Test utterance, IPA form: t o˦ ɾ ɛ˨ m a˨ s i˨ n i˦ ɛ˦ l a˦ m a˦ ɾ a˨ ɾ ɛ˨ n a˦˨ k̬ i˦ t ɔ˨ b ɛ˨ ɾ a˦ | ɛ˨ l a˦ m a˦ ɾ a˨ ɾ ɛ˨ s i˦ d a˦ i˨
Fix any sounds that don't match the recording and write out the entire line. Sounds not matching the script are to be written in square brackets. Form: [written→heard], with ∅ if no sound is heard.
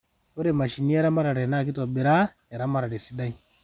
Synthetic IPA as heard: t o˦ ɾ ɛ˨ m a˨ [s→ʃ] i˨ n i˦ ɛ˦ [l→ɾ] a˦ m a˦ ɾ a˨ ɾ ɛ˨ n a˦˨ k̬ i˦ t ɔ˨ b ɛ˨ ɾ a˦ | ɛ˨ [l→ɾ] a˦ m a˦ ɾ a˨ ɾ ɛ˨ s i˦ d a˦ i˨